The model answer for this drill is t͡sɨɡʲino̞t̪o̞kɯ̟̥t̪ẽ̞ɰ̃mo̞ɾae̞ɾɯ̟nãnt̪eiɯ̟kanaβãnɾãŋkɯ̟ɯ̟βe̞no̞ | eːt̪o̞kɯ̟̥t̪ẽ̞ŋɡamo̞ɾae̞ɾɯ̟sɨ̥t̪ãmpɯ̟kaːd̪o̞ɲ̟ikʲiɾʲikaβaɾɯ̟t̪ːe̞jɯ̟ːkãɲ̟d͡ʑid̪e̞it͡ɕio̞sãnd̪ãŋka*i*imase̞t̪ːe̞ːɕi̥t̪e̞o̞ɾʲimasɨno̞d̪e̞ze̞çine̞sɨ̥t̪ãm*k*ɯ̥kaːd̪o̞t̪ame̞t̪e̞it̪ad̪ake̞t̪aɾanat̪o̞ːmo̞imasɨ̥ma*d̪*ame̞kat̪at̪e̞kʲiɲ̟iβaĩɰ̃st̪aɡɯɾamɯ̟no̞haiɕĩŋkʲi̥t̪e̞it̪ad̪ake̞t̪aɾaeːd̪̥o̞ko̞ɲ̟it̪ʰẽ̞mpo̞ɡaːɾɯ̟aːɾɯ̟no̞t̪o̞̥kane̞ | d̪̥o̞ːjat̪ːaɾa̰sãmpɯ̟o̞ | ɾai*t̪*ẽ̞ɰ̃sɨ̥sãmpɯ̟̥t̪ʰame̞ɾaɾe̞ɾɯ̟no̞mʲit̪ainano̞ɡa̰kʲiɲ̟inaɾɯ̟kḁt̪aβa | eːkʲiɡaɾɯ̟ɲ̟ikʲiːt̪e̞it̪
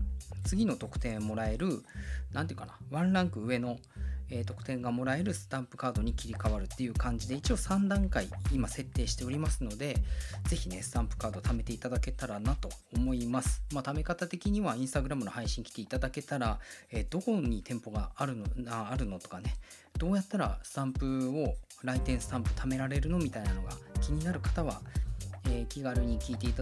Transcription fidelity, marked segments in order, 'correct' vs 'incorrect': correct, incorrect, incorrect, correct

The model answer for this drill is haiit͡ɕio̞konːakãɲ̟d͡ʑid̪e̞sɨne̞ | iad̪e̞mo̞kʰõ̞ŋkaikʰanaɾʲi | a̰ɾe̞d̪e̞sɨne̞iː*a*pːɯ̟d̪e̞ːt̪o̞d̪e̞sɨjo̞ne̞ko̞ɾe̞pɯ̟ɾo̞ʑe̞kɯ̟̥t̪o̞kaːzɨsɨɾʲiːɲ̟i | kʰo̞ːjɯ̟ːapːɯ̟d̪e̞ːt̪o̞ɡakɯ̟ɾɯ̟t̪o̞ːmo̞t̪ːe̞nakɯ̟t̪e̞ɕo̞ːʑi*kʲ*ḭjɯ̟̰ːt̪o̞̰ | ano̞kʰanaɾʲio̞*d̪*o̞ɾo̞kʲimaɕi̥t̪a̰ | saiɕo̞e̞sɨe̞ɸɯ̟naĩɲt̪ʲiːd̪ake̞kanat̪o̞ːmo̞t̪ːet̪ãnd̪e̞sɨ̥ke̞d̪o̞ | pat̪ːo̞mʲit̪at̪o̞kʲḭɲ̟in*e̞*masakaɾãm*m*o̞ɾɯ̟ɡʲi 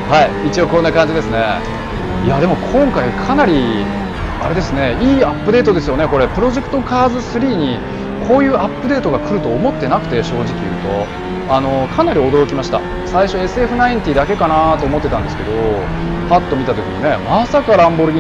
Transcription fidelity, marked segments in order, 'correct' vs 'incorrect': correct, correct, correct, correct, incorrect

